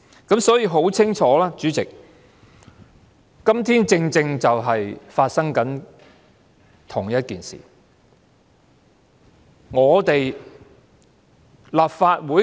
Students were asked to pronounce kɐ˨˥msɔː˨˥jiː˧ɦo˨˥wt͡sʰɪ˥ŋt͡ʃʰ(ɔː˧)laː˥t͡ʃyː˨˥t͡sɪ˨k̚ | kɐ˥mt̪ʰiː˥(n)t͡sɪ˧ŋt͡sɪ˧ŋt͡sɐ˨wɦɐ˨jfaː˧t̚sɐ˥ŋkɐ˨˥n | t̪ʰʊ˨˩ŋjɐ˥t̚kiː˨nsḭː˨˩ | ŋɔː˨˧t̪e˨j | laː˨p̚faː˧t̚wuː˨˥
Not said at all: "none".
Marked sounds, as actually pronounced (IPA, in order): ɔː˨˥, n

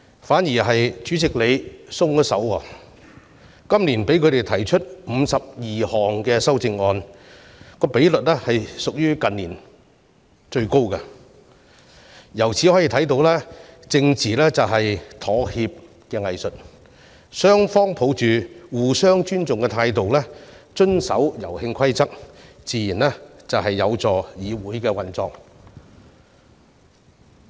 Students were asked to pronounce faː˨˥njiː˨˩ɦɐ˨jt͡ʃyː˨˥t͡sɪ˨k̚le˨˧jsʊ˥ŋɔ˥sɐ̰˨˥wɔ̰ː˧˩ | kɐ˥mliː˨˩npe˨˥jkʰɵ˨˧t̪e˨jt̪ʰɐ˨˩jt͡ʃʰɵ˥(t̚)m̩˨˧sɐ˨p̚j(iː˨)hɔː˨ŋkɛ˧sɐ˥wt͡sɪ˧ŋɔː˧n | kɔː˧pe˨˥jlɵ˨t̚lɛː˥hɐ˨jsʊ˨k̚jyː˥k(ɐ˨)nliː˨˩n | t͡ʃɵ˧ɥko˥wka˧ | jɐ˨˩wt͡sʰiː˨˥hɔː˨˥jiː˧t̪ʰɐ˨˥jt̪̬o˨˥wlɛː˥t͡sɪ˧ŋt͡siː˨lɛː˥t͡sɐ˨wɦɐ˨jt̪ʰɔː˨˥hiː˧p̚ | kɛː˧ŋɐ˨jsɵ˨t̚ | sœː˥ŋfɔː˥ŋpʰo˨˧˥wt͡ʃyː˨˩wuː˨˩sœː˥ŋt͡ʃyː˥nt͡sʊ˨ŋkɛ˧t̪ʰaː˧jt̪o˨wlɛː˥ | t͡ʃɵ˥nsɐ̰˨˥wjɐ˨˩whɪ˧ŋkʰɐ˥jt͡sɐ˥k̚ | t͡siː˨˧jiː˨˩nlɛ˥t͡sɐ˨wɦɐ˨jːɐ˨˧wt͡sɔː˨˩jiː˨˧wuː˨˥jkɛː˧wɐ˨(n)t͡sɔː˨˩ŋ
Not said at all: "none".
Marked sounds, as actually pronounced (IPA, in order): t̚, iː˨, ɐ˨, n

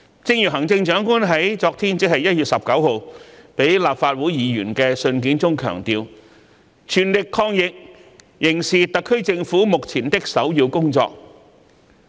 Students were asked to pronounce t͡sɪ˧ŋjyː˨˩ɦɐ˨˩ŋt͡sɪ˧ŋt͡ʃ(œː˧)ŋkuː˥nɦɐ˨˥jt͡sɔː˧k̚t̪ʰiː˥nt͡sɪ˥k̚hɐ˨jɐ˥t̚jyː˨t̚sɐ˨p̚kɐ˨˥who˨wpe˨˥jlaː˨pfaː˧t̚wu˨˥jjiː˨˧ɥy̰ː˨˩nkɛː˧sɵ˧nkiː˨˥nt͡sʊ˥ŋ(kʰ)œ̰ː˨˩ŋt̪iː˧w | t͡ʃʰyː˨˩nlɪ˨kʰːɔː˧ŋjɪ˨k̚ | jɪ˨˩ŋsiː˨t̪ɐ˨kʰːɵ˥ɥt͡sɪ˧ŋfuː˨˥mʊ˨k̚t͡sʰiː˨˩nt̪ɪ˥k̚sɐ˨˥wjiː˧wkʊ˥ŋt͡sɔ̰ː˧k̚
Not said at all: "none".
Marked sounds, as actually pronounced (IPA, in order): œː˨˥, kʰ

